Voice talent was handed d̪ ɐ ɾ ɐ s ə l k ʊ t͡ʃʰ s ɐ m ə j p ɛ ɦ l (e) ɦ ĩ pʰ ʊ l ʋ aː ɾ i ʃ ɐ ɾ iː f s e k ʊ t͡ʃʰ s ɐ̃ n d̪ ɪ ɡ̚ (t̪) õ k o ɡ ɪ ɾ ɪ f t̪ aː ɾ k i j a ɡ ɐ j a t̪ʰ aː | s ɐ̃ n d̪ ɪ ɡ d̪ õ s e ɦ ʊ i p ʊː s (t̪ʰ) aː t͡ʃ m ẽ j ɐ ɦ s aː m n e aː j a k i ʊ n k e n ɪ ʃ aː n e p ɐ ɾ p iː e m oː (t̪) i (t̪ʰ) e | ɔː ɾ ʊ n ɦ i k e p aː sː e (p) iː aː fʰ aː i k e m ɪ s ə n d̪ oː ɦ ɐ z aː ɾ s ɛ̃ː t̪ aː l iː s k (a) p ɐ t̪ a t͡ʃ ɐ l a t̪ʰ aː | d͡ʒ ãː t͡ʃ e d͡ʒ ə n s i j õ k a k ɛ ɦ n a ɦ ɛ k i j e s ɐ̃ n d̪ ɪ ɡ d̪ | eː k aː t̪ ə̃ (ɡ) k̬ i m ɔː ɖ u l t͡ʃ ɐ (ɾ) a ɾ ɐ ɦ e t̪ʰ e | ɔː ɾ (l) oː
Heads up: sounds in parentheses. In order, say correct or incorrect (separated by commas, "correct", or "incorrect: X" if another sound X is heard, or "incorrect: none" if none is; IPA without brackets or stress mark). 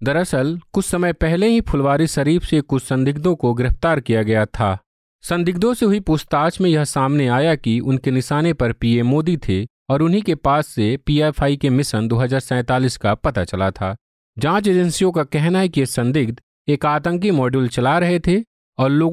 correct, incorrect: d̪, incorrect: t̪, incorrect: d̪, correct, correct, correct, incorrect: ŋ, incorrect: l, correct